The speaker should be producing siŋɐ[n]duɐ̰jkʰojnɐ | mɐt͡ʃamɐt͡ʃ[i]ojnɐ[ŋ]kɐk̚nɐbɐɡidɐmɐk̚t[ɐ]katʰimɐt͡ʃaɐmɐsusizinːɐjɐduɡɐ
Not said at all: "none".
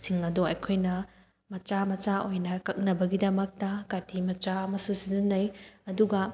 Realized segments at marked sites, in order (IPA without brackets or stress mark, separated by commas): none, a, none, ɐ